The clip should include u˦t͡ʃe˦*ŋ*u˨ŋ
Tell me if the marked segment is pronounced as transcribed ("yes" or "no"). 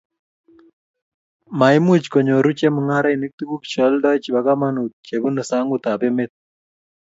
no